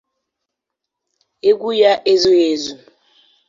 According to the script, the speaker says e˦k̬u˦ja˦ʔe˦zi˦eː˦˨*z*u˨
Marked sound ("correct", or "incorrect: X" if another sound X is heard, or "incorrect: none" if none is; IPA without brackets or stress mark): correct